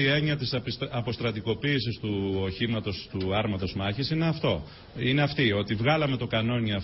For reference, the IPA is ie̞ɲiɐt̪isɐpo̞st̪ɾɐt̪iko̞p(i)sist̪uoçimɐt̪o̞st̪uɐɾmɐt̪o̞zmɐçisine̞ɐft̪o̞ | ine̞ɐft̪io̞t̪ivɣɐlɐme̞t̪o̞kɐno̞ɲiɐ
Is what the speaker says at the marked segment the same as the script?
no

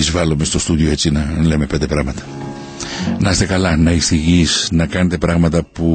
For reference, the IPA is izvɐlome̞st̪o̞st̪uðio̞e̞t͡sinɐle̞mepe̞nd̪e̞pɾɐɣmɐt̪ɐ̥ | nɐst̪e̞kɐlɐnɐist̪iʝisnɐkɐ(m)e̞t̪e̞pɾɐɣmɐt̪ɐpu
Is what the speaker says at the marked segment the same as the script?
no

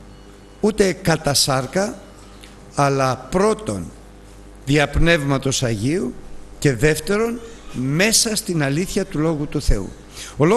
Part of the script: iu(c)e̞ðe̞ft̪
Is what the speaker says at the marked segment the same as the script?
yes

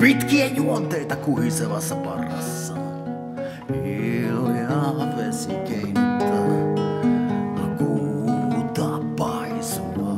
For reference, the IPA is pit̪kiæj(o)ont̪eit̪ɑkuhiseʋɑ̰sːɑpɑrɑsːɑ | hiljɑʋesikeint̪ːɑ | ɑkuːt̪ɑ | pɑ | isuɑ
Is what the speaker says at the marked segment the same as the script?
no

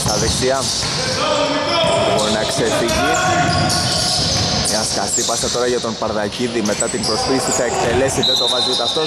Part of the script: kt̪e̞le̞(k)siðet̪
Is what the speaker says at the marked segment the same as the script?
no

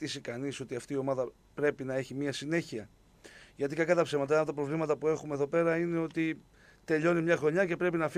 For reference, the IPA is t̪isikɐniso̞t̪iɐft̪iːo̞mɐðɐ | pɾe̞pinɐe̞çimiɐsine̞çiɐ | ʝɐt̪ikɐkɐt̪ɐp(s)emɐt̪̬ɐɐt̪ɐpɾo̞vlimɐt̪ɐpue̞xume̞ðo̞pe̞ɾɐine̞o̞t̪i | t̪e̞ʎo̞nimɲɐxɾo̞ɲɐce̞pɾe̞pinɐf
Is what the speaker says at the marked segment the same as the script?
yes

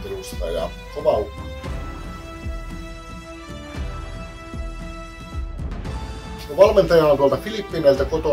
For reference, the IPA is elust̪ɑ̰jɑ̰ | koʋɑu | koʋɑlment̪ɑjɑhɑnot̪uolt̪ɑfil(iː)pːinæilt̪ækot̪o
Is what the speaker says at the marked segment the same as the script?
no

